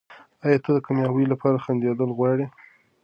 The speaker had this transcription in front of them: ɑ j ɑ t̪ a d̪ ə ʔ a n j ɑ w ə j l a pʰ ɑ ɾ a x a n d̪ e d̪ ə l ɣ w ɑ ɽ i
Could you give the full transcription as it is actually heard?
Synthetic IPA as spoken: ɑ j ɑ t̪ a d̪ ə k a m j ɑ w ə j l a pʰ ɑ ɾ a x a n d̪ e d̪ ə l ɣ w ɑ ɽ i

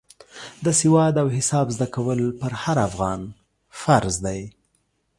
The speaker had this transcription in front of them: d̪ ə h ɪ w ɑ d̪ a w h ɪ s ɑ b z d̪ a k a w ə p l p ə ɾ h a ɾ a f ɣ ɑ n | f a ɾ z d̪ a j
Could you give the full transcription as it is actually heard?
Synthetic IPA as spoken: d̪ ə s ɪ w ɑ d̪ a w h ɪ s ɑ b z d̪ a k a w ə l p ə ɾ h a ɾ a f ɣ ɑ n | f a ɾ z d̪ a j

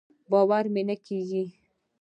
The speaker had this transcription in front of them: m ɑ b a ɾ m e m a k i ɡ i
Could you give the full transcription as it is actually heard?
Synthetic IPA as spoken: b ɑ w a ɾ m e n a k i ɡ i

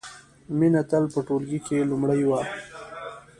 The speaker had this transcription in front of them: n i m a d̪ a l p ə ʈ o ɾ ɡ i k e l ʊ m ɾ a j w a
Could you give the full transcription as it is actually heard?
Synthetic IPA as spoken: m i n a t̪ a l p ə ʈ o l ɡ i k e l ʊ m ɽ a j w a

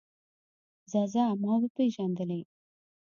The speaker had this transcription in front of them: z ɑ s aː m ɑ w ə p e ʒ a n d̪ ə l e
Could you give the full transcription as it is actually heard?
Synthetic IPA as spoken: z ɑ z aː m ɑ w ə p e ʒ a n d̪ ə l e

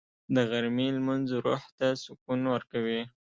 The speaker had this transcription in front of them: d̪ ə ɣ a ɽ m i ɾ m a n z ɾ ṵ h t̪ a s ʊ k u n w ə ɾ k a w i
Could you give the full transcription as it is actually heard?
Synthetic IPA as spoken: d̪ ə ɣ a ɾ m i l m a n z ɾ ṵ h t̪ a s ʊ k u n w ə ɾ k a w i

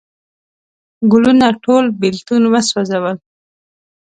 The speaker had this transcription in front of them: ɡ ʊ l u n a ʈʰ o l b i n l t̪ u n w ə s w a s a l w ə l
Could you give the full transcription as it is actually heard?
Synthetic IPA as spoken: ɡ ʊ l u n a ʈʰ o l b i l t̪ u n w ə s w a z a w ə l

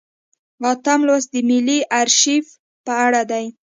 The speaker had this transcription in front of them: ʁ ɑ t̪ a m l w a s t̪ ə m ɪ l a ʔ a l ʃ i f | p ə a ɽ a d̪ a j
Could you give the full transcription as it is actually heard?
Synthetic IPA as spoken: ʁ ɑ t̪ a m l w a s d̪ ə m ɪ l i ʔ a ɾ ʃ i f | p ə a ɽ a d̪ a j

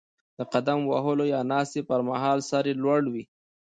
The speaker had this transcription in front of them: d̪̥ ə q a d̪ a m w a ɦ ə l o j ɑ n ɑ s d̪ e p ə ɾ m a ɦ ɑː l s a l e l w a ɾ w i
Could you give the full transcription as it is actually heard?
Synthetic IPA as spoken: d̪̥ ə q a d̪ a m w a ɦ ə l o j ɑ n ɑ s t̪ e p ə ɾ m a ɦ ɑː l s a ɾ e l w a ɽ w i

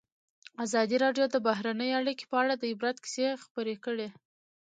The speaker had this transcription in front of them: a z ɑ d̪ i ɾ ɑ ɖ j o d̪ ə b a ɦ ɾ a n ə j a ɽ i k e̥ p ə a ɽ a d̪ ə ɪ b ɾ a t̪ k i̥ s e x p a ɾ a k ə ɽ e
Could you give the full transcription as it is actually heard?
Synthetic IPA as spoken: a z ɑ d̪ i ɾ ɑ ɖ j o d̪ ə b a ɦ ɾ a n ə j a ɽ i k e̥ p ə a ɽ a d̪ ə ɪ b ɾ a t̪ k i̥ s e x p ə ɾ e k ə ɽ e

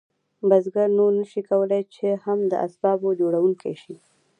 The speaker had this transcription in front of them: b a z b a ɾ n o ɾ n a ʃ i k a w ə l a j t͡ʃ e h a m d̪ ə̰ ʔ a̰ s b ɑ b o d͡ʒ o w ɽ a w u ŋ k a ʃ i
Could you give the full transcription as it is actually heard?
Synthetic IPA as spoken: b a z ɡ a ɾ n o ɾ n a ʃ i k a w ə l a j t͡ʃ e h a m d̪ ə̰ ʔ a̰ s b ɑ b o d͡ʒ o ɽ a w u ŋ k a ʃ i

